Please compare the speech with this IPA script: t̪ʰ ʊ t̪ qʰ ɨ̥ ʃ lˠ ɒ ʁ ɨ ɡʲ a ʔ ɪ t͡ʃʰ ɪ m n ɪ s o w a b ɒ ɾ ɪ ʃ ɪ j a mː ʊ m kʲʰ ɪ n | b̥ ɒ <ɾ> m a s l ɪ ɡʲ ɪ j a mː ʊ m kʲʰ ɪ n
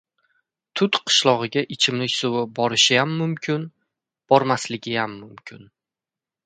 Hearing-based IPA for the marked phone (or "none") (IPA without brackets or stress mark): ɾ